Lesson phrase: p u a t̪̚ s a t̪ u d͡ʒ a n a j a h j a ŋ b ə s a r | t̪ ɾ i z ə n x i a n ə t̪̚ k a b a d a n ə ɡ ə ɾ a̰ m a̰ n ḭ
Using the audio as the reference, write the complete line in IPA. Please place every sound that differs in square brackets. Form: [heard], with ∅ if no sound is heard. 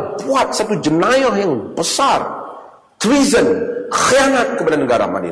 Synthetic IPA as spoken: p u a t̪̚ s a t̪ u d͡ʒ [ə] n a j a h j a ŋ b ə s a r | t̪ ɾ i z ə n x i a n [a] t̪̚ k [ə] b a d a n ə ɡ [a] ɾ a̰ m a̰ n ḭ